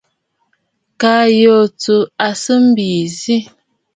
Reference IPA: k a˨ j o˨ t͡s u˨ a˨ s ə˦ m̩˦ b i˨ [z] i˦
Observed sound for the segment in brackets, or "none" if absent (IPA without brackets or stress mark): z